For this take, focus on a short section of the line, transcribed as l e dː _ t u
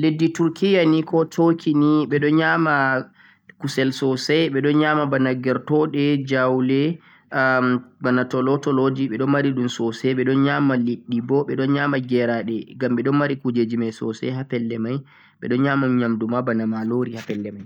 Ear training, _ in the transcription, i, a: i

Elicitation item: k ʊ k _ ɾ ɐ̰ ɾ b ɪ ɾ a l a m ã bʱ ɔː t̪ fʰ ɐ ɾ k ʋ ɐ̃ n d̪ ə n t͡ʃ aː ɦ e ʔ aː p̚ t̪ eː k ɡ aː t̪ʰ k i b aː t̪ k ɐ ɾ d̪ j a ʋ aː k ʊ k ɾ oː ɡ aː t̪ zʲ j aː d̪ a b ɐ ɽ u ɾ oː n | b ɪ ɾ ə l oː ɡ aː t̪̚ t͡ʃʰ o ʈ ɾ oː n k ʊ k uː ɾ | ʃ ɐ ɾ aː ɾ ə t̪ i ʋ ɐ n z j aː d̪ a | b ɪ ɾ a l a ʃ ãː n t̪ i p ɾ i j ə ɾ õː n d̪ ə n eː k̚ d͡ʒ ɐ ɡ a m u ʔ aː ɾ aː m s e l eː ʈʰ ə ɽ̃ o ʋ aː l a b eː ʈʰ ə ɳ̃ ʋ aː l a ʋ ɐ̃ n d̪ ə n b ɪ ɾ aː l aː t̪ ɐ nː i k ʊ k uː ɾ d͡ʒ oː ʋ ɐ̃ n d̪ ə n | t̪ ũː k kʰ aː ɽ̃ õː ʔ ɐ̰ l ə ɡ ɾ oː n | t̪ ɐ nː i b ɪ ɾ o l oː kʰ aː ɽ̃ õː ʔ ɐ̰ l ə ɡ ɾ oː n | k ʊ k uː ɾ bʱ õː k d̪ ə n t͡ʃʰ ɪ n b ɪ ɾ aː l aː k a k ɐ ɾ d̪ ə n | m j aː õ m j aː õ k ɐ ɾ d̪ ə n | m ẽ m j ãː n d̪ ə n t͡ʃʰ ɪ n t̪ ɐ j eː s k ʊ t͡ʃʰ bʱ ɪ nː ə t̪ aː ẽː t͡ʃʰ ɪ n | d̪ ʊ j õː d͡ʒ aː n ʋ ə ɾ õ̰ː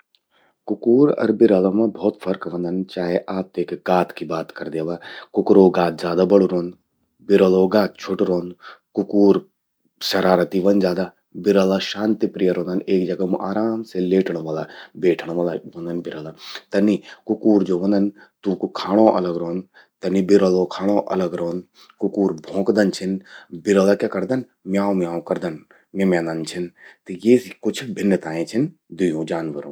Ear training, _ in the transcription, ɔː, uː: uː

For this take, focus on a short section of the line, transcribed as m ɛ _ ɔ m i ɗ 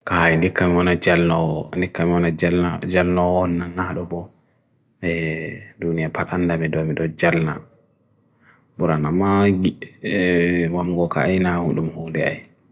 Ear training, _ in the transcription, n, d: d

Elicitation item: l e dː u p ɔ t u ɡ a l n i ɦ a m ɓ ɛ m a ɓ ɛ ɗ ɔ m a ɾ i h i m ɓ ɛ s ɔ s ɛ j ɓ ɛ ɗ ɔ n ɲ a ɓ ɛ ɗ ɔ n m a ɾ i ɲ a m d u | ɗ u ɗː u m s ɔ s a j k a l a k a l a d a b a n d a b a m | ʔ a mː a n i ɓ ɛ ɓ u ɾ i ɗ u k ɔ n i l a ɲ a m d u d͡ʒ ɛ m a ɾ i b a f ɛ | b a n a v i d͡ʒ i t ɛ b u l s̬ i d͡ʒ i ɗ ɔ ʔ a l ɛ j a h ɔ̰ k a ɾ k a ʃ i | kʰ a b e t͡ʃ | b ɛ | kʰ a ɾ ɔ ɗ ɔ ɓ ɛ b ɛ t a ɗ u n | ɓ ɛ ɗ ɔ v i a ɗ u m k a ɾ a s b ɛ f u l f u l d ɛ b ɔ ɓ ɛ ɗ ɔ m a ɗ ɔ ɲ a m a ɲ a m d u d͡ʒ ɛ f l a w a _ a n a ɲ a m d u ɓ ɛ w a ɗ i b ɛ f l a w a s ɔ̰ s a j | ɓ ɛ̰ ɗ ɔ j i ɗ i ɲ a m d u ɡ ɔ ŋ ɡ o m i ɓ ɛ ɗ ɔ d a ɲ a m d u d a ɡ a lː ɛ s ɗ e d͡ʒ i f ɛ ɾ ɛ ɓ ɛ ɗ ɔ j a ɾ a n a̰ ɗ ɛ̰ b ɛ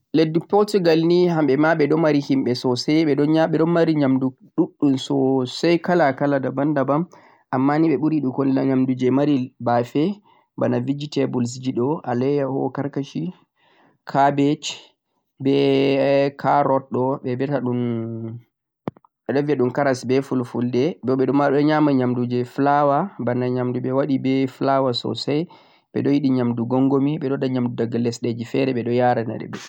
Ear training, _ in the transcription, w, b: b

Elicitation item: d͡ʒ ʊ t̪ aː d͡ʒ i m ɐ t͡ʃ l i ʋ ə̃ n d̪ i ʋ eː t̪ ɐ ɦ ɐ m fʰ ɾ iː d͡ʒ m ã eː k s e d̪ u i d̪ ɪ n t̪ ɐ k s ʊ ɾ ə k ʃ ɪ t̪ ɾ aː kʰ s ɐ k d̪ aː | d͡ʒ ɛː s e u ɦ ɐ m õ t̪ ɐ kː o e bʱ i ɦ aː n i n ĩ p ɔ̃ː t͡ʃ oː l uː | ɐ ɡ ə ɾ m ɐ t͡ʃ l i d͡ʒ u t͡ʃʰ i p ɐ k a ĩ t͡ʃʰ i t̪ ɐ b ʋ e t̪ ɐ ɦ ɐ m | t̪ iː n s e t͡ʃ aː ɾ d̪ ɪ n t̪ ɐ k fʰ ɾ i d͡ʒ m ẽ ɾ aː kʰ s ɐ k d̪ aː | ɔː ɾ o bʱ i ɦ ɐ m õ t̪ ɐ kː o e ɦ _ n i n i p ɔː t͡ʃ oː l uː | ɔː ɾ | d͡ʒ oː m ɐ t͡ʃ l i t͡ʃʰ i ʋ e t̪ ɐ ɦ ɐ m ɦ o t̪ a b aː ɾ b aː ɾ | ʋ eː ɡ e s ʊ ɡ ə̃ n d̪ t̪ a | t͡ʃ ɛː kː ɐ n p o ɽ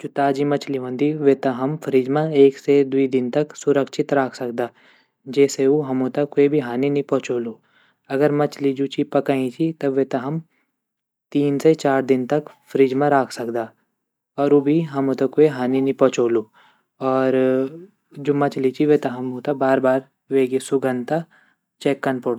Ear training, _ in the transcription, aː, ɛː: aː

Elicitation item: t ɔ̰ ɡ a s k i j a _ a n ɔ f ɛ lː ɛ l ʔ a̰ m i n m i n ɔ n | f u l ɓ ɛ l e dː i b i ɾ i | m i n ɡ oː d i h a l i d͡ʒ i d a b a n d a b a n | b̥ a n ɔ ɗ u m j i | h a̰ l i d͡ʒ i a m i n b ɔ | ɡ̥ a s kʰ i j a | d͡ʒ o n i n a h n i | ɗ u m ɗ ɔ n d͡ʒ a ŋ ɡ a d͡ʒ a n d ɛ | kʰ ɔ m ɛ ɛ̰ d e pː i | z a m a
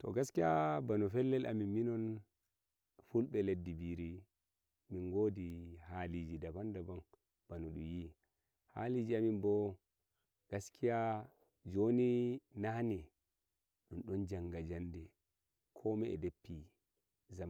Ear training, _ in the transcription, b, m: b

